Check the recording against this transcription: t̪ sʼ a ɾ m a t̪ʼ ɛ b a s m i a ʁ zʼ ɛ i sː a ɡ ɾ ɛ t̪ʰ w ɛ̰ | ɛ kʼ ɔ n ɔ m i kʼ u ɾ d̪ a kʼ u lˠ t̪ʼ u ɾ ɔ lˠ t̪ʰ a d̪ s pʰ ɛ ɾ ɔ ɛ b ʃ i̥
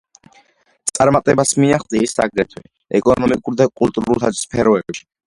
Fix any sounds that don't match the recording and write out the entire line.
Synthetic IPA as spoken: t̪ sʼ a ɾ m a t̪ʼ ɛ b a s m i a χ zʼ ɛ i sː a ɡ ɾ ɛ t̪ʰ w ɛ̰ | ɛ kʼ ɔ n ɔ m i kʼ u ɾ d̪ a kʼ u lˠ t̪ʼ u ɾ u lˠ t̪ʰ a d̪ s pʰ ɛ ɾ ɔ ɛ b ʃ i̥